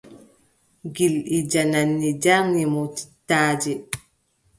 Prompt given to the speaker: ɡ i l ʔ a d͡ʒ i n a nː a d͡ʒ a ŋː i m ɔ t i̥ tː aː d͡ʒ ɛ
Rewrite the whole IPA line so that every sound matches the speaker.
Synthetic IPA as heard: ɡ i l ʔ i d͡ʒ a n a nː i d͡ʒ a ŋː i m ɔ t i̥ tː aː d͡ʒ ɛ